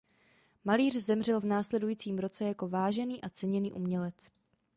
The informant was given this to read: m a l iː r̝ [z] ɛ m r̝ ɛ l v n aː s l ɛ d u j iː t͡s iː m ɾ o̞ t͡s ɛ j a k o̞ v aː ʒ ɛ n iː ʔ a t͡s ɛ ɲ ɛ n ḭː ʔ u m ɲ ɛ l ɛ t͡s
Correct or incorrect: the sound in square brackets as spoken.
correct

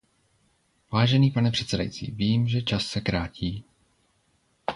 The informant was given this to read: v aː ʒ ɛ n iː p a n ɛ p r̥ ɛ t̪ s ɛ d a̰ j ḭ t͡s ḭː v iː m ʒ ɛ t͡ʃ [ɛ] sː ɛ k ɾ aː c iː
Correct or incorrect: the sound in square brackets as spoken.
incorrect: a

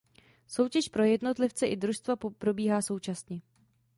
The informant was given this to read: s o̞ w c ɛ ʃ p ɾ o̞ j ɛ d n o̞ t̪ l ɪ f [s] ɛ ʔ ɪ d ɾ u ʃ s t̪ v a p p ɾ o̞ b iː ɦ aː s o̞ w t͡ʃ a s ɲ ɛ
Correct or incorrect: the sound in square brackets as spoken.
incorrect: t͡s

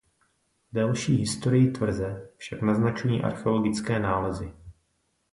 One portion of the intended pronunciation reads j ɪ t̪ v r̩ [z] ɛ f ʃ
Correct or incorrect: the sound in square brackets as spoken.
correct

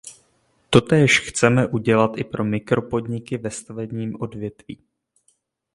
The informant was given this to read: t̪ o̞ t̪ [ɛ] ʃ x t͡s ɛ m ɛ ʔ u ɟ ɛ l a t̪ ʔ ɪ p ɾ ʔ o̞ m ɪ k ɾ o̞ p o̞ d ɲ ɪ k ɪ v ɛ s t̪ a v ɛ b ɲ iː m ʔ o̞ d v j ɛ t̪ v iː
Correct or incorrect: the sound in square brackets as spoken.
incorrect: ɛː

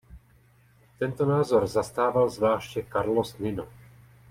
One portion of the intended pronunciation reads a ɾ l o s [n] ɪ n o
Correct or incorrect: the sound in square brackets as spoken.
correct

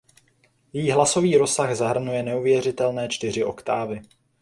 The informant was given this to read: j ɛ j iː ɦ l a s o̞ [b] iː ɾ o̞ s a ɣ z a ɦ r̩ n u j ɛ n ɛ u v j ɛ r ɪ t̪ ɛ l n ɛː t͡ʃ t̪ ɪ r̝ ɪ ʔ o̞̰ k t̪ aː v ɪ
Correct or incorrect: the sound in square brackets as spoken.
incorrect: v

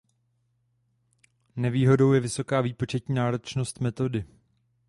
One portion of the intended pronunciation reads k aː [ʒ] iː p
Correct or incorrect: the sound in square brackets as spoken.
incorrect: v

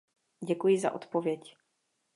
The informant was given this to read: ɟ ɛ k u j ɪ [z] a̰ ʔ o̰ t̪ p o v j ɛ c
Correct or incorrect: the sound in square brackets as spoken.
correct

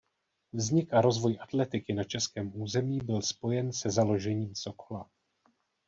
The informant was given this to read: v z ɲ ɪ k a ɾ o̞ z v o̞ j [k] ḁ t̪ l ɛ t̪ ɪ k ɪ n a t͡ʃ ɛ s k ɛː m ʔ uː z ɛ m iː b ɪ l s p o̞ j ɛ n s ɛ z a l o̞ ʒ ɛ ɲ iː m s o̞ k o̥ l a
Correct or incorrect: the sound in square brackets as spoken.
incorrect: ʔ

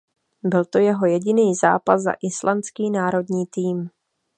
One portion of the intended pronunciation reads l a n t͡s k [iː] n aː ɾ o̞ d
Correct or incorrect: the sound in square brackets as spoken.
correct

